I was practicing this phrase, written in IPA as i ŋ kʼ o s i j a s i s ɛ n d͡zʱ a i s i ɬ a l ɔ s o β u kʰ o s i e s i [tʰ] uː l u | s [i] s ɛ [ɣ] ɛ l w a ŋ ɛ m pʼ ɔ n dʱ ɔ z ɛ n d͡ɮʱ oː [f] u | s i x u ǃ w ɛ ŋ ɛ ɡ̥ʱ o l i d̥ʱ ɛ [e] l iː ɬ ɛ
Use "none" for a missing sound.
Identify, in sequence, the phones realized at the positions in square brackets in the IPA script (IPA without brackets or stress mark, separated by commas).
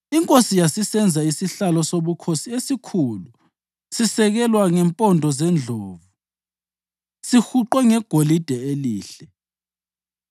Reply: kʰ, i, ɣ, v, e